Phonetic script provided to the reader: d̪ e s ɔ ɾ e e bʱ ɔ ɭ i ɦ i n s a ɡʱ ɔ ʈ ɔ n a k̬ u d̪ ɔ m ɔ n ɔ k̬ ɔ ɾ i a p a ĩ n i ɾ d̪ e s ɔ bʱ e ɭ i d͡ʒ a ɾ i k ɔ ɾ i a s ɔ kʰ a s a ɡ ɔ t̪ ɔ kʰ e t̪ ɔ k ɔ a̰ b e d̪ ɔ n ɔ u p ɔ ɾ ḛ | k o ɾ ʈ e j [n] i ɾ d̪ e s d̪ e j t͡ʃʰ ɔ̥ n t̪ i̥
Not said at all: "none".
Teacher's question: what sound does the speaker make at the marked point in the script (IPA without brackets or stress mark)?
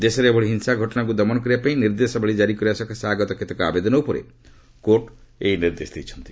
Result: n